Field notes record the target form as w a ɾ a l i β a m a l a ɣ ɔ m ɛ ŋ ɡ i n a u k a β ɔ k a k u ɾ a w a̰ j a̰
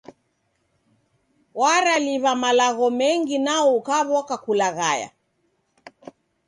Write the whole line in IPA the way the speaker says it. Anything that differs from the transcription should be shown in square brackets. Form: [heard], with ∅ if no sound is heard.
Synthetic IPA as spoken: w a ɾ a l i β a m a l a ɣ ɔ m ɛ ŋ ɡ i n a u k a β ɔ k a k u [l] a [ɣ] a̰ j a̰

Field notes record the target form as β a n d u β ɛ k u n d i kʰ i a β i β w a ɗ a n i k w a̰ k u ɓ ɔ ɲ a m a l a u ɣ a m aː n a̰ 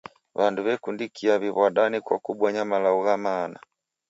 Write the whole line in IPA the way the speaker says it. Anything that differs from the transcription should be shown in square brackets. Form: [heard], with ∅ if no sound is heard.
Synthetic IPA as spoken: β a n d u β ɛ k u n d i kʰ i a β i β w a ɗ a n i k w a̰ k u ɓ ɔ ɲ a m a l a u ɣ a m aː n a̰

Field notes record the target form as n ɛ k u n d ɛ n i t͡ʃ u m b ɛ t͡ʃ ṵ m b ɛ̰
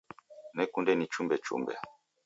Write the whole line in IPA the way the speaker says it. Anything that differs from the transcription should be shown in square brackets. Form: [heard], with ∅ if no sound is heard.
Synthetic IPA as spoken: n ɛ k u n d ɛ n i t͡ʃ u m b ɛ t͡ʃ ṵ m b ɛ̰

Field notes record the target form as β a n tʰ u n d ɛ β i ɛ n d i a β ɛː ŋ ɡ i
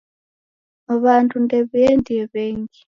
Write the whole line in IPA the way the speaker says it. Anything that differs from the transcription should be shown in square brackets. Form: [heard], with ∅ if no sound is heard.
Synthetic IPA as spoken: β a n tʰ u n d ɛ β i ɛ n d i [ɛ] β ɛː ŋ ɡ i

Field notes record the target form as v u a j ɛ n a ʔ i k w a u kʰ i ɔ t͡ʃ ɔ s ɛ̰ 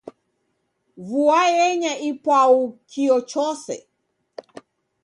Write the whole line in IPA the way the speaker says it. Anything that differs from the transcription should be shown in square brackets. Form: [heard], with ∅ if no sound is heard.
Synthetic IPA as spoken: v u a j ɛ [ɲ] a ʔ i [p] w a u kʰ i ɔ t͡ʃ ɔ s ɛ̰

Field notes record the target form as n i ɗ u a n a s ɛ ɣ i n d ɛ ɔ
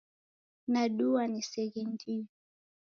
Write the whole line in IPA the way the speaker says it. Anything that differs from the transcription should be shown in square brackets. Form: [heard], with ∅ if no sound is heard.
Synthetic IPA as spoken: n [a] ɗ u a n [i] s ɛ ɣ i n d [i] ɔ

